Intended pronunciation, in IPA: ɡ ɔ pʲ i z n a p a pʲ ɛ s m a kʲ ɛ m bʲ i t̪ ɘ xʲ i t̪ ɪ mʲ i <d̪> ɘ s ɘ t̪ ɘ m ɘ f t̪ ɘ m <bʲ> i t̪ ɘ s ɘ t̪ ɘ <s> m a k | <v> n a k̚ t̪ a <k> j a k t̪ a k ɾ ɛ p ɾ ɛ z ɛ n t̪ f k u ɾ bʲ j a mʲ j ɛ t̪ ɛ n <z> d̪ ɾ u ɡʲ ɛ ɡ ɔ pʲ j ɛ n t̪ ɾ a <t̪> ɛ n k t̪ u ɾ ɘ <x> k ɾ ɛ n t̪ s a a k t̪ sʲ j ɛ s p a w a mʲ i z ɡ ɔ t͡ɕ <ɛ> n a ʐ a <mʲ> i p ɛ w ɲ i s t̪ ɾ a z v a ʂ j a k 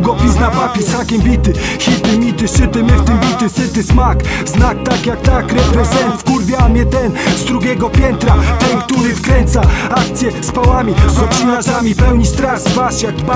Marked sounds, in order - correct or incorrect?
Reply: incorrect: t̪, correct, correct, incorrect: z, correct, correct, correct, incorrect: f, incorrect: i, correct

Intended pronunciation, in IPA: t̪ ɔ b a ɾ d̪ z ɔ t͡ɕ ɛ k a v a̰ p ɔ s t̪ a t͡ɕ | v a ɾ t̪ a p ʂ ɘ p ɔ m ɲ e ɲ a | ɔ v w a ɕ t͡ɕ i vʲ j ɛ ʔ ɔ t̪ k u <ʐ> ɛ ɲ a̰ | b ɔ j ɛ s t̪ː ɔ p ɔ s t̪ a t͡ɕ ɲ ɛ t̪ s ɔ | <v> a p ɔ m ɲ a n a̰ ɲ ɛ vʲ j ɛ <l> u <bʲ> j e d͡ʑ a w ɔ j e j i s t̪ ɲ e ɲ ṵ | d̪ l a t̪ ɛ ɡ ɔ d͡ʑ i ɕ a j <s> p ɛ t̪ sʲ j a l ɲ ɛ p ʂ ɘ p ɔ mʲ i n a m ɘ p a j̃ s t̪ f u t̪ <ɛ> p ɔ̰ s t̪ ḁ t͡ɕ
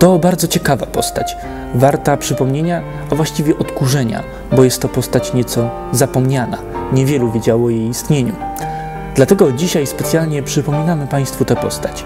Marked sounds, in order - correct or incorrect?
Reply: correct, incorrect: z, correct, incorrect: vʲ, correct, correct

